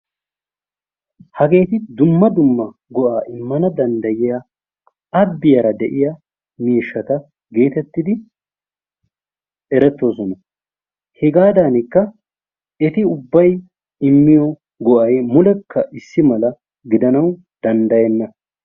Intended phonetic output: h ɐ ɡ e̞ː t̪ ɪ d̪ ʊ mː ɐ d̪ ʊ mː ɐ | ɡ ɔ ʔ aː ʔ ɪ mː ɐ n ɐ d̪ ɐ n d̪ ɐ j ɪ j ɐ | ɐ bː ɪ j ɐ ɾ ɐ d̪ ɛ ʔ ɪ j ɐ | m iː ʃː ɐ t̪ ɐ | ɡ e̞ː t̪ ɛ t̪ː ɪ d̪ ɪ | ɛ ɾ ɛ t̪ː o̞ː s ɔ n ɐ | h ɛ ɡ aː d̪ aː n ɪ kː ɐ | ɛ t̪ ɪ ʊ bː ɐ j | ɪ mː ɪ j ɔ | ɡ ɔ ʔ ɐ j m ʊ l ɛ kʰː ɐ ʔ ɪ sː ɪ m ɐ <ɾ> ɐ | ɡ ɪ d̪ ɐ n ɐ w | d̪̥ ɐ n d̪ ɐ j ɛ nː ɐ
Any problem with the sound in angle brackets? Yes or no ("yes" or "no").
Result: yes